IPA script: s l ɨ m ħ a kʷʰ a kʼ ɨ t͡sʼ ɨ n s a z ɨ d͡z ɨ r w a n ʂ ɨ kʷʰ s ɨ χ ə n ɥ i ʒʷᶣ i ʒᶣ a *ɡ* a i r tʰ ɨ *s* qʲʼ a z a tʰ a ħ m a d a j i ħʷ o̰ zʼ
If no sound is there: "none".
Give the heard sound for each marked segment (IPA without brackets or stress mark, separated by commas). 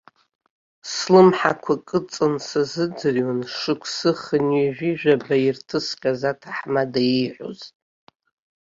b, s